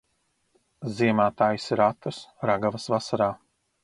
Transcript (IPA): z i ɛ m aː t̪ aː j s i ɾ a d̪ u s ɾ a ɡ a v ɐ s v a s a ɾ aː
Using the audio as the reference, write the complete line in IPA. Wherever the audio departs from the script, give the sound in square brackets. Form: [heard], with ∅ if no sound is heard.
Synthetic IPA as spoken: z i ɛ m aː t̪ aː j s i ɾ a [t̪] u s ɾ a ɡ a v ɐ s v a s a ɾ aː